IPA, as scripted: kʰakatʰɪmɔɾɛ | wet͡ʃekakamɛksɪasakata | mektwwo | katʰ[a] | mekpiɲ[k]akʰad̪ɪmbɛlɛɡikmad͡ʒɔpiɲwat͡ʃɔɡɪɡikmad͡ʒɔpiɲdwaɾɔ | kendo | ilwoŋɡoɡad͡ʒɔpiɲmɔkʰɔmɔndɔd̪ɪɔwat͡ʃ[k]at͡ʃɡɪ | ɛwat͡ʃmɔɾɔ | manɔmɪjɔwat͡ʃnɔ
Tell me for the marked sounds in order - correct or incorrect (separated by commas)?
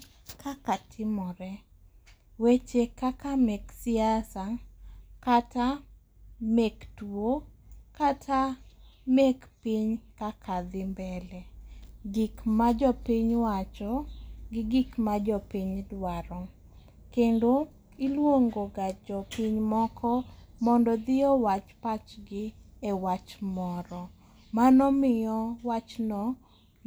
correct, correct, incorrect